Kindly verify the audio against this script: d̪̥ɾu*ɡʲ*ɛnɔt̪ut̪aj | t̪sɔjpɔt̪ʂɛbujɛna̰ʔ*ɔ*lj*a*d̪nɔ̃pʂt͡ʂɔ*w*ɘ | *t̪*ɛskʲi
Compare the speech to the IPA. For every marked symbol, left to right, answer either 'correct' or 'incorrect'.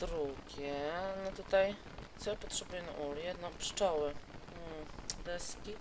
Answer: correct, incorrect: u, incorrect: ɛ, correct, incorrect: d̪

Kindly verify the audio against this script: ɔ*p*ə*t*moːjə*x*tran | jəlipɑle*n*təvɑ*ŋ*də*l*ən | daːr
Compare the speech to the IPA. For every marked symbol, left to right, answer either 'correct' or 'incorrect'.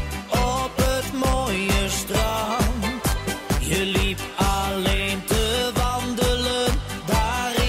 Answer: correct, correct, incorrect: s, correct, incorrect: n, correct

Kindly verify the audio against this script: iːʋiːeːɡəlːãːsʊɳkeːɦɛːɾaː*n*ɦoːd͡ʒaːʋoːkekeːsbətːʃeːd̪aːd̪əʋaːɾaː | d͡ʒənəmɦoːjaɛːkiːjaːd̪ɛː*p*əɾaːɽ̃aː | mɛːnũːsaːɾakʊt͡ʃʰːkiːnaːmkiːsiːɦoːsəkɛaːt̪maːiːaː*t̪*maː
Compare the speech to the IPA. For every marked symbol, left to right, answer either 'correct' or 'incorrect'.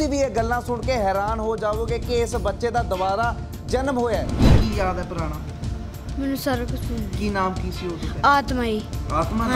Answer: correct, correct, correct

